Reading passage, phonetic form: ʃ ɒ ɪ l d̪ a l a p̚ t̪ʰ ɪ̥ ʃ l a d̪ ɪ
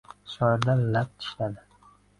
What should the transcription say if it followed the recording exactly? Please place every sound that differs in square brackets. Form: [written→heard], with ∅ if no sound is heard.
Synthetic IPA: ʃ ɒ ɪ [l→ɾ] d̪ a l a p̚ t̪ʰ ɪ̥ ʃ l a d̪ ɪ